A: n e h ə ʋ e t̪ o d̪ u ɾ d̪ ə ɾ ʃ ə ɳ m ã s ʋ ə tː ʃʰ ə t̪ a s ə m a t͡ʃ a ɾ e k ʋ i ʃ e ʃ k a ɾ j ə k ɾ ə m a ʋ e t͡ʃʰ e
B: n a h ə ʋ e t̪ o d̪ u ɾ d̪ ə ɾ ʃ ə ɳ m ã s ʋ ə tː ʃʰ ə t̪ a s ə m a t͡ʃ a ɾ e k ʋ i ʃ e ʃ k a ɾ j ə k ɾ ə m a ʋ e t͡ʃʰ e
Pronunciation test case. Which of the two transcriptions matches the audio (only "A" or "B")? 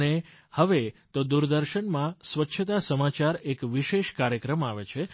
A